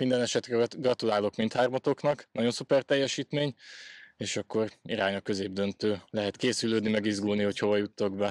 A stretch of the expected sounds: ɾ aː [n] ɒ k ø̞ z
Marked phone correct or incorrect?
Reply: incorrect: ɲ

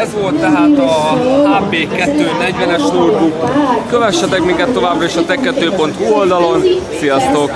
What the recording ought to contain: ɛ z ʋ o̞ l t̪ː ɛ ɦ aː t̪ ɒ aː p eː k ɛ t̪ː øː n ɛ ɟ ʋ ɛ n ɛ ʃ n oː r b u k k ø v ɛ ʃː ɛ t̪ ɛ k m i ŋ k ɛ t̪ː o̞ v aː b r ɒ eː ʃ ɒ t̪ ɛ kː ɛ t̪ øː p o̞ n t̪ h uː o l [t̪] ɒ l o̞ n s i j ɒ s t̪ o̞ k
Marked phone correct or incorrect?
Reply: incorrect: d̪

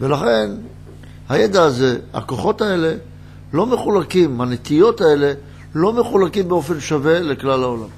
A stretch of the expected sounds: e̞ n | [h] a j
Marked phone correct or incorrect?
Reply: correct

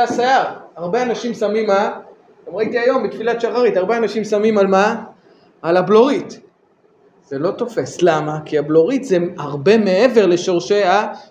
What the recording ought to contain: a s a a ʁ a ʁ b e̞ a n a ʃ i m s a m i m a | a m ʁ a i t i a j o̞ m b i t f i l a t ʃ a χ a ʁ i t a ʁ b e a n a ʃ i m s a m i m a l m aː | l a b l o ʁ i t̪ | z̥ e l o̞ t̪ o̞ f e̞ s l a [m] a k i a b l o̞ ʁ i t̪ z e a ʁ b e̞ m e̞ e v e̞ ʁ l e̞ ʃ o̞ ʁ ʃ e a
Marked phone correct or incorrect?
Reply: correct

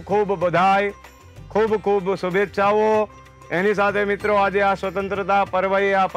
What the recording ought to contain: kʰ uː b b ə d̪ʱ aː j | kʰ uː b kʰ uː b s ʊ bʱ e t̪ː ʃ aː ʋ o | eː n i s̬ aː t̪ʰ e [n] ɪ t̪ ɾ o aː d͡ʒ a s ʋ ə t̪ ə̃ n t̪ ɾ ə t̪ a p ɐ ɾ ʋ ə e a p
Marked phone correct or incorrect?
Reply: incorrect: m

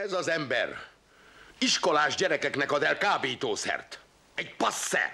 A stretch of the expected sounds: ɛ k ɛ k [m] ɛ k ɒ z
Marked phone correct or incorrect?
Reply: incorrect: n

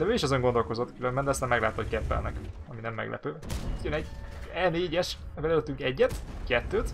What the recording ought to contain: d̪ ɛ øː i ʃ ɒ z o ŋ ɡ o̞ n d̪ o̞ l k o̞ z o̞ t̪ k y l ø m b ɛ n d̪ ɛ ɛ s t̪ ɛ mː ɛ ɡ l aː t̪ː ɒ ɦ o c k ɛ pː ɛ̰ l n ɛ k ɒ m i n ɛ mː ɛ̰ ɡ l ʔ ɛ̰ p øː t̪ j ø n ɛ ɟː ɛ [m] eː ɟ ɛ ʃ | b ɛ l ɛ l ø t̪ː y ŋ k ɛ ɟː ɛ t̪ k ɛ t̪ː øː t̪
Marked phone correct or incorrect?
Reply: incorrect: n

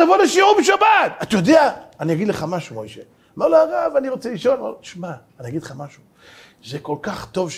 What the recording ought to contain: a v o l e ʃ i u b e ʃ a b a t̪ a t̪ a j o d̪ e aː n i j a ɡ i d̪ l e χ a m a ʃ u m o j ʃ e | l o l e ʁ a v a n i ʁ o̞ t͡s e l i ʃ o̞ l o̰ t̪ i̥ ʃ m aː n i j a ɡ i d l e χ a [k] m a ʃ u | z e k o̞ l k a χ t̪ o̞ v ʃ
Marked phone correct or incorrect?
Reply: incorrect: none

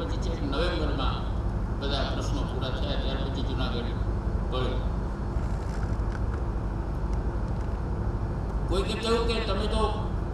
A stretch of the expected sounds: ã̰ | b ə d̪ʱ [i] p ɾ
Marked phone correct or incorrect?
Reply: incorrect: a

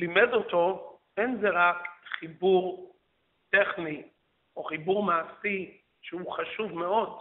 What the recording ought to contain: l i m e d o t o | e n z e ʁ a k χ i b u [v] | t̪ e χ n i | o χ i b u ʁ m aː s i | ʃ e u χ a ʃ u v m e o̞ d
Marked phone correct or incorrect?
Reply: incorrect: ʁ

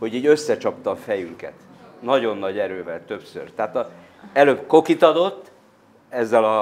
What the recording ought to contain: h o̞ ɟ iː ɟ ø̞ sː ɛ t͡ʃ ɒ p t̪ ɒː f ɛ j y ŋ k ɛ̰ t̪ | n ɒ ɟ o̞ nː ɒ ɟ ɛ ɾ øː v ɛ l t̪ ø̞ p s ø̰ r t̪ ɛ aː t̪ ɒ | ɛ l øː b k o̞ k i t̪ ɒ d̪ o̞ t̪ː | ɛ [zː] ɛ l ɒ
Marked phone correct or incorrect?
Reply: correct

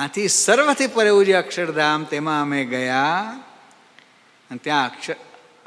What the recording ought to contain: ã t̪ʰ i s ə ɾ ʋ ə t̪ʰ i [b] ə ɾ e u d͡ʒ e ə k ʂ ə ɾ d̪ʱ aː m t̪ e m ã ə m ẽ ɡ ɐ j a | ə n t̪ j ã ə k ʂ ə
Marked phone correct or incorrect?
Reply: incorrect: p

